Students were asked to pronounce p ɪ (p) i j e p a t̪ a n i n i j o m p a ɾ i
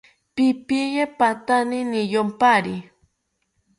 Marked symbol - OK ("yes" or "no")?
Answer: yes